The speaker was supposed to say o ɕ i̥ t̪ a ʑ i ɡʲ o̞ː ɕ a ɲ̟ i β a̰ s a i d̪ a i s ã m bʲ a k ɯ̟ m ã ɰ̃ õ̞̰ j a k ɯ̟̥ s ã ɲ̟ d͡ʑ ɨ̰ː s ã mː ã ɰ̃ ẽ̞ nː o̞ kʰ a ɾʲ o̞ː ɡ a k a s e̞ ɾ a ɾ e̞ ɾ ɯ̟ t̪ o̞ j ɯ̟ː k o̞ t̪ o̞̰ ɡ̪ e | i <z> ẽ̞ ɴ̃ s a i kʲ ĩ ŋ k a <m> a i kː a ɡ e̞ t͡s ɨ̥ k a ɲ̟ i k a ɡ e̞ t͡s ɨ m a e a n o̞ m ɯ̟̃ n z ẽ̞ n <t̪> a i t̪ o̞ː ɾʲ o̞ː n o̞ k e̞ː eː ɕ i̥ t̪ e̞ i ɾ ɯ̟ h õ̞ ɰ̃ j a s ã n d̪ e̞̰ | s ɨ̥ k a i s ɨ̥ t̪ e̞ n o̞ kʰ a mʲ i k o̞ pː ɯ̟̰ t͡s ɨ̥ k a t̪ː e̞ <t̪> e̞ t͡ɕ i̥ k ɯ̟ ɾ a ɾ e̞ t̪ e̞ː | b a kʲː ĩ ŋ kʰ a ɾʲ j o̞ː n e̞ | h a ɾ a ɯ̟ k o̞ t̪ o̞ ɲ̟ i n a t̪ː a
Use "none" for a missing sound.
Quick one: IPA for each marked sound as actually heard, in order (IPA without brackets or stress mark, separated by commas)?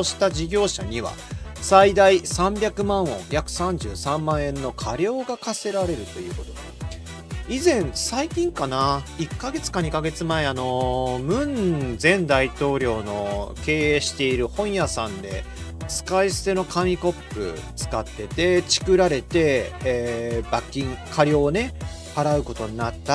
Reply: z, n, d̪, t̪